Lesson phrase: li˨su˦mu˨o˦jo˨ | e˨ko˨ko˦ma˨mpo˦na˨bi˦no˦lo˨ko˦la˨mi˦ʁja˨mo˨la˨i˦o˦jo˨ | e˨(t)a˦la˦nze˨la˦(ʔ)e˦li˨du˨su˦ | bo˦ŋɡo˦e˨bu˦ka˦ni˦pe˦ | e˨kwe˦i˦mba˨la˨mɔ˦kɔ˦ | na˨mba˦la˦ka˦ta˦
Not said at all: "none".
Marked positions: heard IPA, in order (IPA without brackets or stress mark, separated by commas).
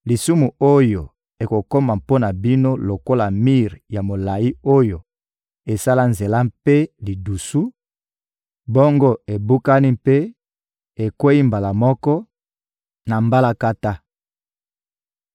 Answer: s, p